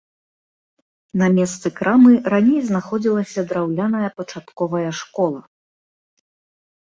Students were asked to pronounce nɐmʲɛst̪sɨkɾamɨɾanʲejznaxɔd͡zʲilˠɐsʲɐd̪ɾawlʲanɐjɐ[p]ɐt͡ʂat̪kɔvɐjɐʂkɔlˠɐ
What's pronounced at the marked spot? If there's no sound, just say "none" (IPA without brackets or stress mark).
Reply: p